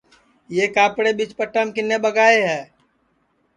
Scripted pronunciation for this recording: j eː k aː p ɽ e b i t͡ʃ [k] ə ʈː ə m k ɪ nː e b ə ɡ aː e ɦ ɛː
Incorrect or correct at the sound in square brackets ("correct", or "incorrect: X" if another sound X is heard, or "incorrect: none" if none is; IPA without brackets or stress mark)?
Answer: incorrect: p